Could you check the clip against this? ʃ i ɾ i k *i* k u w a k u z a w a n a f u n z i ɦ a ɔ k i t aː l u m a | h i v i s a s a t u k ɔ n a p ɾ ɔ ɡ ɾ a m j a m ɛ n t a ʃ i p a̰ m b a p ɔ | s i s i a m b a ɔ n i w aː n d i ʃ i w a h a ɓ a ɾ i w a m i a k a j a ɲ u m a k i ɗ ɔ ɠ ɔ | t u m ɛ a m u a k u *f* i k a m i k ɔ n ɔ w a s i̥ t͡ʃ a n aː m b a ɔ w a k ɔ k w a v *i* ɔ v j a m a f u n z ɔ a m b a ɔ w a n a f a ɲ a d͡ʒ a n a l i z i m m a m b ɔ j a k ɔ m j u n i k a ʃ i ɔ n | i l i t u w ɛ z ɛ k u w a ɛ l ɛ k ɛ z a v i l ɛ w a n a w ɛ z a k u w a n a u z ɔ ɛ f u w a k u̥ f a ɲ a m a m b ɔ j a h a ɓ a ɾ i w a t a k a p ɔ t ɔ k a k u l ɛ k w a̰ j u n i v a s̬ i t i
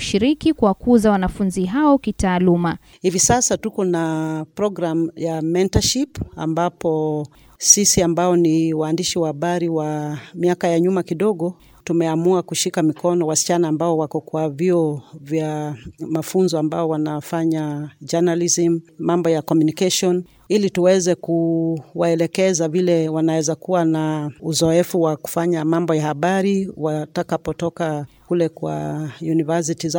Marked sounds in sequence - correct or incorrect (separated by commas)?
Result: correct, incorrect, correct